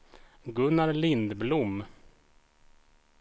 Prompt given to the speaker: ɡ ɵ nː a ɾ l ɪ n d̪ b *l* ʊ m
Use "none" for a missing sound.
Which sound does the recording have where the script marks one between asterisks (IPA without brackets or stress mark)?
l